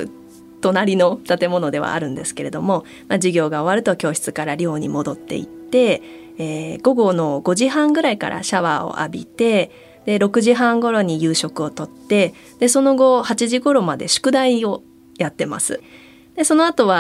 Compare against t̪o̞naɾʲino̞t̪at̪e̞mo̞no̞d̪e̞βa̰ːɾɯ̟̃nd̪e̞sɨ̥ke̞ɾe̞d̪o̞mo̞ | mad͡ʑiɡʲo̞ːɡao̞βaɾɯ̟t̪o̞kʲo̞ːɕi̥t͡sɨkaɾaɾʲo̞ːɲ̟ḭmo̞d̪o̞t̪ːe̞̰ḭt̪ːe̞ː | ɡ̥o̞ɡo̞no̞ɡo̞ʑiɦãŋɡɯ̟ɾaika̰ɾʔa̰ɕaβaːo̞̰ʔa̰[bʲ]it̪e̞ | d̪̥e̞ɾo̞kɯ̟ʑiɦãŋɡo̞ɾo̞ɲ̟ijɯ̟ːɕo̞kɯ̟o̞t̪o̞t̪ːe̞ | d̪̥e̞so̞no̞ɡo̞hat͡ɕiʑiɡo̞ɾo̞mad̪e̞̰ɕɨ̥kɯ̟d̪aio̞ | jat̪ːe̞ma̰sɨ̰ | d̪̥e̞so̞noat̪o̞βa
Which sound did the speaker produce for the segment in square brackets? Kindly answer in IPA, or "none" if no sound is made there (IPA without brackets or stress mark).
bʲ